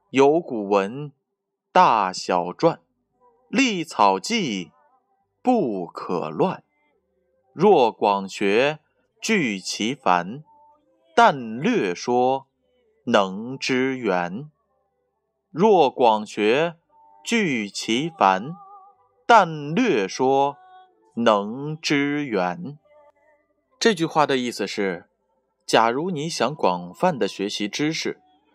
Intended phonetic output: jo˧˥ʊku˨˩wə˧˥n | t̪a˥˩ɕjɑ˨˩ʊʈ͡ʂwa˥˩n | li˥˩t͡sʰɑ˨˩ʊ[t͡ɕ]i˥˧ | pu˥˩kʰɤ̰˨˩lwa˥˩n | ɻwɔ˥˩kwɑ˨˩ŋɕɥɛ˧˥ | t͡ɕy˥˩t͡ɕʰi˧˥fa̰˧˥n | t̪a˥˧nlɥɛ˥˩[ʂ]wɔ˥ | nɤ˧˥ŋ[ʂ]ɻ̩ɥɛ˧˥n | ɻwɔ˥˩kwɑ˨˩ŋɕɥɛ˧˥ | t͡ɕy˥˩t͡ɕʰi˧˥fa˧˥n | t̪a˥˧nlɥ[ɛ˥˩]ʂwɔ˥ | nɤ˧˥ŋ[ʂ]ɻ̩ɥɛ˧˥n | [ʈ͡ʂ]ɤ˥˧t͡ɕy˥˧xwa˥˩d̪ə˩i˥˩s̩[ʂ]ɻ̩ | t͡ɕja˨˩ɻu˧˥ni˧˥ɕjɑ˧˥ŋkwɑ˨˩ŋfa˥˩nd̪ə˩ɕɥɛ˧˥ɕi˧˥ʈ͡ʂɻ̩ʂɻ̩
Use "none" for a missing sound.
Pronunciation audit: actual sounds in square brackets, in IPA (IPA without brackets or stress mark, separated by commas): t͡ɕ, ʂ, ʈ͡ʂ, ɛ˥˩, ʈ͡ʂ, ʈ͡ʂ, ʂ